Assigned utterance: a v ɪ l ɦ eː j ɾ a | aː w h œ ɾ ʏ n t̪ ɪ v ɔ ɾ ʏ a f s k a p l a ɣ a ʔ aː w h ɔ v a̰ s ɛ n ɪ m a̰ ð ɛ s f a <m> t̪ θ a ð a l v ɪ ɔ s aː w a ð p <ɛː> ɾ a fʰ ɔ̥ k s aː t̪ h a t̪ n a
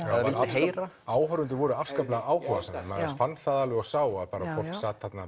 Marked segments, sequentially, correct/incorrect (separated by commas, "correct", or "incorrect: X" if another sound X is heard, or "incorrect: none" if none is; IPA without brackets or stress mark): incorrect: n, incorrect: aː